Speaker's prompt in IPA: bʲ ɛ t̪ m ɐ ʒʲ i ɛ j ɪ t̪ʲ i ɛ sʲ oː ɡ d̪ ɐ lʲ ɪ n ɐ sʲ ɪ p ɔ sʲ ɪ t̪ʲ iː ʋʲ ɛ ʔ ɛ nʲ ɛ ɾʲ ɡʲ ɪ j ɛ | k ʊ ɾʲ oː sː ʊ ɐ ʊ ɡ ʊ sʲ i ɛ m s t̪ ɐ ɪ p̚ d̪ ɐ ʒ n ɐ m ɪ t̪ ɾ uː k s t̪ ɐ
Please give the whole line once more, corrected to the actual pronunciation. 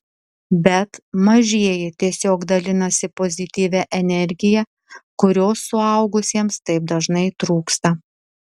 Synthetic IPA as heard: bʲ ɛ t̪ m ɐ ʒʲ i ɛ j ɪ t̪ʲ i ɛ sʲ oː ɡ d̪ ɐ lʲ ɪ n ɐ sʲ ɪ p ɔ zʲ ɪ t̪ʲ iː ʋʲ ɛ ʔ ɛ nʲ ɛ ɾʲ ɡʲ ɪ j ɛ | k ʊ ɾʲ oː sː ʊ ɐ ʊ ɡ ʊ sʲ i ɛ m s t̪ ɐ ɪ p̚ d̪ ɐ ʒ n ɐ ɪ t̪ ɾ uː k s t̪ ɐ